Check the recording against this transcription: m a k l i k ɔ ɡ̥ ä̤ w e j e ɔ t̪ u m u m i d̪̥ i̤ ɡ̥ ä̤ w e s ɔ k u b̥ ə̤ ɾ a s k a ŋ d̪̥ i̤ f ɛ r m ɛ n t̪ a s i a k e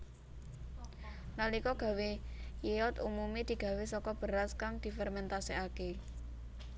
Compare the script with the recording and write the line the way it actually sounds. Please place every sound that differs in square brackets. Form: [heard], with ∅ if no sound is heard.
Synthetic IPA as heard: [n] a [∅] l i k ɔ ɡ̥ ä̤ w e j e ɔ t̪ u m u m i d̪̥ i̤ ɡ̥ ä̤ w e s ɔ k [ɔ] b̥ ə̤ ɾ a s k a ŋ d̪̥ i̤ f ɛ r m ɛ n t̪ a s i a k e